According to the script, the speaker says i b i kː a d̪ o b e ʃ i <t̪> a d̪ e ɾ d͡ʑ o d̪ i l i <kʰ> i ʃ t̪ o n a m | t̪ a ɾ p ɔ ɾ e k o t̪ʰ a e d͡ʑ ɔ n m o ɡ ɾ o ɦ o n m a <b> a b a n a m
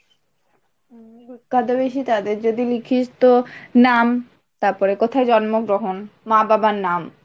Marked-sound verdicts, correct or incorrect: correct, correct, correct

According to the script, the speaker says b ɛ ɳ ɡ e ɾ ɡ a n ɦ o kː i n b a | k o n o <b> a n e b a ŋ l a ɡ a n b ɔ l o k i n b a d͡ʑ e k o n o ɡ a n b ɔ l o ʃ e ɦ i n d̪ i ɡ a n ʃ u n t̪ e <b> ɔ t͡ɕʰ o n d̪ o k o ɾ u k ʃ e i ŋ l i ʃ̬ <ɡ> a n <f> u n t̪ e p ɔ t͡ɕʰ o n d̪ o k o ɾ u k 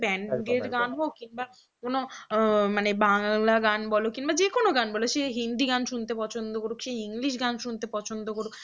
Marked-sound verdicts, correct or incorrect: incorrect: m, incorrect: p, correct, incorrect: ʃ

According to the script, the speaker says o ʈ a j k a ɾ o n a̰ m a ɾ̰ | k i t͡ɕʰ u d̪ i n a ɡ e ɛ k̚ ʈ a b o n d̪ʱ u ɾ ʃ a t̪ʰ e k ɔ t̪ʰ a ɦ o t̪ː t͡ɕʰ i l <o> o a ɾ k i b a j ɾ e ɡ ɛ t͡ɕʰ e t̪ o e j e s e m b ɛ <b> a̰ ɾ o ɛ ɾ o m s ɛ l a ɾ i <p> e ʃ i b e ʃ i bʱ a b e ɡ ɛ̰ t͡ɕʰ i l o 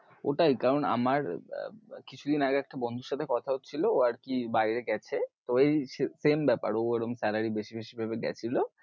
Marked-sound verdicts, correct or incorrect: correct, incorrect: p, incorrect: b

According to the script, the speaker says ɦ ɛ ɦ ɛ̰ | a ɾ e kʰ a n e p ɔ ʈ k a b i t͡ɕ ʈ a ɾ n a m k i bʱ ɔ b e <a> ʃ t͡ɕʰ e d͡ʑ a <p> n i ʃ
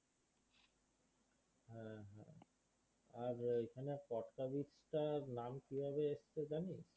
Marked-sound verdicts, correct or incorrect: incorrect: e, incorrect: none

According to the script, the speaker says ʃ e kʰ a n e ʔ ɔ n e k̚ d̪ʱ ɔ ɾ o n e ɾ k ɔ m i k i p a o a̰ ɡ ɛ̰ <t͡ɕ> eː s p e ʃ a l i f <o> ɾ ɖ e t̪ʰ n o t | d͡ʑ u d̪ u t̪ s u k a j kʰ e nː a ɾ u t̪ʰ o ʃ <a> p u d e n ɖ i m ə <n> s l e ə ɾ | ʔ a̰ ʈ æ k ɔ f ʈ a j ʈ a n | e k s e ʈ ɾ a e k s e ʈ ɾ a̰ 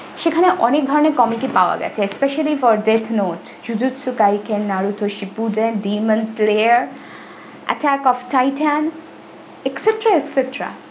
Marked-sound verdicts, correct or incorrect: incorrect: t͡ɕʰ, incorrect: ɔ, incorrect: i, correct

